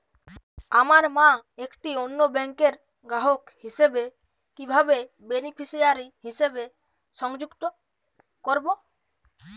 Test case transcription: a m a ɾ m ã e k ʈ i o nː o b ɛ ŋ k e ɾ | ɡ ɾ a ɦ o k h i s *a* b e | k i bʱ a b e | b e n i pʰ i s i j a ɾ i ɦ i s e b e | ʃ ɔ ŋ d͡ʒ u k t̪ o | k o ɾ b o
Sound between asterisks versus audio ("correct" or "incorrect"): incorrect